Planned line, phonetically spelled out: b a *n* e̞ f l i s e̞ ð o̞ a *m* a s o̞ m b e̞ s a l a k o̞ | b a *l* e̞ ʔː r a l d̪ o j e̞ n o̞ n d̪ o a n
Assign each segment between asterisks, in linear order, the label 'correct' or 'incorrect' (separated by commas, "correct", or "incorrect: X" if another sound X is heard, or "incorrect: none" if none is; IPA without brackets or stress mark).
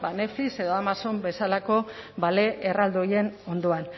correct, correct, correct